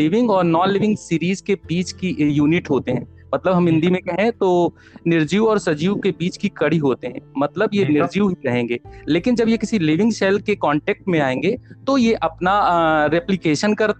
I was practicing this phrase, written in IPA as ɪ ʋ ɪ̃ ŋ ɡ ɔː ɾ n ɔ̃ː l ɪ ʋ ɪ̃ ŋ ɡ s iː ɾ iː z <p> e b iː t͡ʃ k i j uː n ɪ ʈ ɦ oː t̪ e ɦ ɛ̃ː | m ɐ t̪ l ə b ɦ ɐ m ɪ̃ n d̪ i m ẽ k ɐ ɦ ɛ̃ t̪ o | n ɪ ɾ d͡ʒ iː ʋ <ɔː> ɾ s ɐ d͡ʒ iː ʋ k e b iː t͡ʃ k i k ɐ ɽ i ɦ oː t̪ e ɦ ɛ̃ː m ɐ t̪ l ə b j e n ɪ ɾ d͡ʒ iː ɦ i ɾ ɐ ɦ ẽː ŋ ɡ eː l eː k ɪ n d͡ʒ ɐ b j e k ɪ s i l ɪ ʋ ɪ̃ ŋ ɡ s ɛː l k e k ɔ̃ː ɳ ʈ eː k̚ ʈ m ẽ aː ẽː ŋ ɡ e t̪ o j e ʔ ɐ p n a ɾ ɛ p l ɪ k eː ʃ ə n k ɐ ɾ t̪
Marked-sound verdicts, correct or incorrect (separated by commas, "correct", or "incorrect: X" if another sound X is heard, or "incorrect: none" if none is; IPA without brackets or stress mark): incorrect: k, correct